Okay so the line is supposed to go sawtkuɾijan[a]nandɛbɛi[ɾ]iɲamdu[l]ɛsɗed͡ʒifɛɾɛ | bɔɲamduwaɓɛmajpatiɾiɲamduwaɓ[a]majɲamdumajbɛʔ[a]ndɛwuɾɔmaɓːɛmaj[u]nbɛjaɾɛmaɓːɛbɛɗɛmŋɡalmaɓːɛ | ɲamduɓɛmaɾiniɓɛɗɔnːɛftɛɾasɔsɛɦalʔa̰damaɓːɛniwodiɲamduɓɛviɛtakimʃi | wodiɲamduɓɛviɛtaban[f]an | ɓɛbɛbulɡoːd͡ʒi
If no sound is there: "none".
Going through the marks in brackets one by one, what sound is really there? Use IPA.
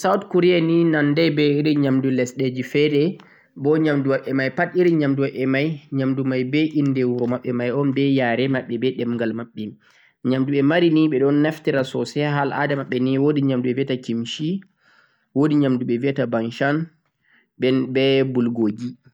i, ɾ, l, ɛ, i, ɔ, ʃ

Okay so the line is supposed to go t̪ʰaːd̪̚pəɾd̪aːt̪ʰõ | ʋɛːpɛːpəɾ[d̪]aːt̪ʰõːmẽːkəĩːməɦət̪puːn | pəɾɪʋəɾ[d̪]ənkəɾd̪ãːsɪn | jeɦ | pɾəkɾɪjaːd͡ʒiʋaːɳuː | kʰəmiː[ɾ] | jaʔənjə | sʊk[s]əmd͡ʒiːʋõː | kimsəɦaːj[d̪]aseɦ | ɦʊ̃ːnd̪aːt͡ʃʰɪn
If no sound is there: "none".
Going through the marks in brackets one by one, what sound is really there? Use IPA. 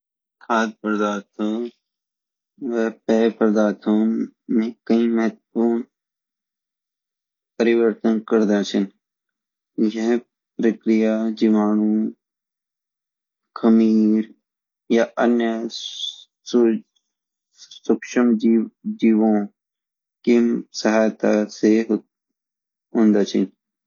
d̪, t̪, ɾ, ʃ, t̪

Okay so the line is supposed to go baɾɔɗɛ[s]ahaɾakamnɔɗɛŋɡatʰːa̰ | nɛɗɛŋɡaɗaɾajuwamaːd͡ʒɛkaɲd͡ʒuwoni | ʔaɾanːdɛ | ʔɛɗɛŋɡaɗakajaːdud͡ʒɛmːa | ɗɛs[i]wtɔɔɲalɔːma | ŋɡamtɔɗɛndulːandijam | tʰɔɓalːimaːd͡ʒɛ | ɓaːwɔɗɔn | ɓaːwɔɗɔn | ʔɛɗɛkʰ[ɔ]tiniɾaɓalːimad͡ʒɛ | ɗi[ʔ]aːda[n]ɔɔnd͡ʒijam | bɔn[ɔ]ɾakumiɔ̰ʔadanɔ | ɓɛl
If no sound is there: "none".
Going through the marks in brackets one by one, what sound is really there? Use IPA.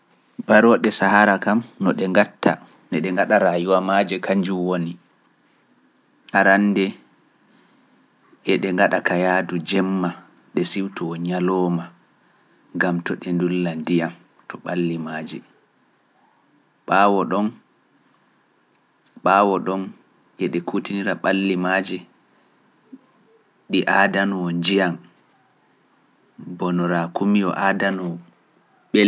s, i, u, ʔ, n, ɔ

